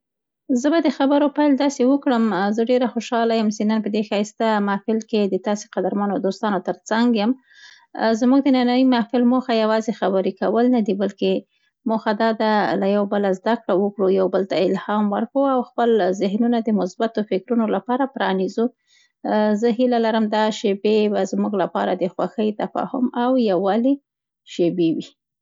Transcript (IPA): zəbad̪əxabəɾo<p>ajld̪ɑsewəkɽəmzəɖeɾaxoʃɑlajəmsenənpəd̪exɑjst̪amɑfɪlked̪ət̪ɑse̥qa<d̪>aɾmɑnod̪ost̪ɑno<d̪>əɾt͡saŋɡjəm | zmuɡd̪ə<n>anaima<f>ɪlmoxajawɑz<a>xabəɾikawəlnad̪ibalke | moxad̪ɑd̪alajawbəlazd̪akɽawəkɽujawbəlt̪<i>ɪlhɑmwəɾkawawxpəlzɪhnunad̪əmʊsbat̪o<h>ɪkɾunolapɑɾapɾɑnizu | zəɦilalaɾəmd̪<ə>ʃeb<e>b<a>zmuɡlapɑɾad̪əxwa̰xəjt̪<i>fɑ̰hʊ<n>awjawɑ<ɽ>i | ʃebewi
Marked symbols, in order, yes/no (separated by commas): yes, yes, no, yes, yes, no, no, no, no, yes, yes, no, no, no